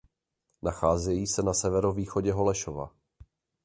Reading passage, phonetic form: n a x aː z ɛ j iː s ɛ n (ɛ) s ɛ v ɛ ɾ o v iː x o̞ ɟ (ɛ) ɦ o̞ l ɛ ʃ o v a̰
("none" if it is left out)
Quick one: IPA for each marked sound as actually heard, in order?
a, ɛ

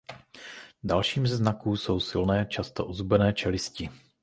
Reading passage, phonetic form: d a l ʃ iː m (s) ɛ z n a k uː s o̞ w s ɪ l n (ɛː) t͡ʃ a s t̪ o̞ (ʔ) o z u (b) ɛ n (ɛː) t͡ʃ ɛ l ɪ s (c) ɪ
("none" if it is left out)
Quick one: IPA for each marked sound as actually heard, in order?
z, ɛː, ʔ, b, ɛː, c

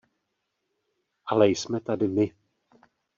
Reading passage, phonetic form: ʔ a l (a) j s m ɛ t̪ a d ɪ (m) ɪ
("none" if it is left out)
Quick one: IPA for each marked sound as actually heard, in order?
ɛ, m

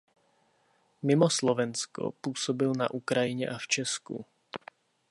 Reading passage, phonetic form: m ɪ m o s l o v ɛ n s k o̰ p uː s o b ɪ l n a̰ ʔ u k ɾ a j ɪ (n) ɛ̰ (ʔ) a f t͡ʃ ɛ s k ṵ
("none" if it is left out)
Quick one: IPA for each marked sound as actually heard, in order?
ɲ, ʔ

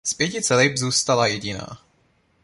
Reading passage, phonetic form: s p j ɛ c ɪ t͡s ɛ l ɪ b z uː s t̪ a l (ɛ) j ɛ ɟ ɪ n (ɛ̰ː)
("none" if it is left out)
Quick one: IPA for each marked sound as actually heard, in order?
a, a̰ː

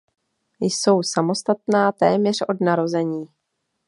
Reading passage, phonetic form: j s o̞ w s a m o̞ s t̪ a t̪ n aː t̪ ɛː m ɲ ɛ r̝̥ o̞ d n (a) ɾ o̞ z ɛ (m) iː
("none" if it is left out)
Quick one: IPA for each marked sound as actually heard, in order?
a, ɲ

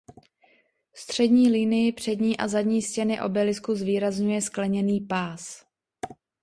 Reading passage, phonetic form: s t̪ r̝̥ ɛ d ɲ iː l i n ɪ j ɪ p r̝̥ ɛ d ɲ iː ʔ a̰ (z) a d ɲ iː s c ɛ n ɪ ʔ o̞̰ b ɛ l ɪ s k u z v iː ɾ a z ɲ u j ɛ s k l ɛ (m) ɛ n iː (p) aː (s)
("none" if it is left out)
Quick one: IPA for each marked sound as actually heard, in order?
z, ɲ, p, s

